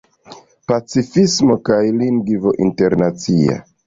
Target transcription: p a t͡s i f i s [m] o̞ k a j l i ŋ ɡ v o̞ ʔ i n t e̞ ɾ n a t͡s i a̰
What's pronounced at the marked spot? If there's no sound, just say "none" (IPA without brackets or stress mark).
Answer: m